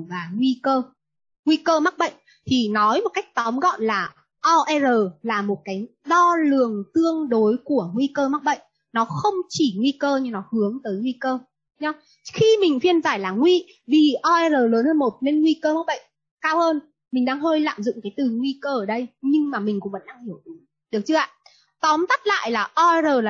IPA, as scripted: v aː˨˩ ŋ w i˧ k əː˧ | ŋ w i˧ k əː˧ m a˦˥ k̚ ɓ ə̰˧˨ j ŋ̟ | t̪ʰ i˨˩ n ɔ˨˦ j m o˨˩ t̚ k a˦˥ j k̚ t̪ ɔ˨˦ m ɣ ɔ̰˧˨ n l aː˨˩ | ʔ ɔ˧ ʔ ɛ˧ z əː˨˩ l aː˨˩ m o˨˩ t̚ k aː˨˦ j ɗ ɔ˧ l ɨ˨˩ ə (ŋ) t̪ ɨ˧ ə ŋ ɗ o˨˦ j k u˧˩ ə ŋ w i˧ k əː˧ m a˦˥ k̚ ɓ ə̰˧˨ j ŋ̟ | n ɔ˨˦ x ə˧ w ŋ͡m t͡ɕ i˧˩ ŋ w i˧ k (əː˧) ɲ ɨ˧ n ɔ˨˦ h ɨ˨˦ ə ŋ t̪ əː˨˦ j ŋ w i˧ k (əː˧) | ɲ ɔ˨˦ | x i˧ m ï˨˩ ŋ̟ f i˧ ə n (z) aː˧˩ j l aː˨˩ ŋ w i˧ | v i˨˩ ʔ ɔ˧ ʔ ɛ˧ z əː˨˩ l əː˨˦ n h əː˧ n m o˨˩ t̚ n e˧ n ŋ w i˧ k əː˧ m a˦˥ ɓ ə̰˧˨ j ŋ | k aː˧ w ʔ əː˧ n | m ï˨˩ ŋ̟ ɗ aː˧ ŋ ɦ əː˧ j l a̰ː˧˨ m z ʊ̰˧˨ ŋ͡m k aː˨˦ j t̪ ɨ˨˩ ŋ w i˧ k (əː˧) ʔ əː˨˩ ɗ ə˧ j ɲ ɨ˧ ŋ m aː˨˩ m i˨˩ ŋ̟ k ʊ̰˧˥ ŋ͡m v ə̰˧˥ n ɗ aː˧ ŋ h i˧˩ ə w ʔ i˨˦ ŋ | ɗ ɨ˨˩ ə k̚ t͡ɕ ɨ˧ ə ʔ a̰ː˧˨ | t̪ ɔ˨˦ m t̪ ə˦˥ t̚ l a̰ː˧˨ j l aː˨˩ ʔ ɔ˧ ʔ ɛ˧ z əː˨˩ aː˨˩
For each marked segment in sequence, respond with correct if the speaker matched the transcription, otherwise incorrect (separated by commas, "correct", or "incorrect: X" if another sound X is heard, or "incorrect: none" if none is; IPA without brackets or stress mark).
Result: correct, correct, correct, correct, correct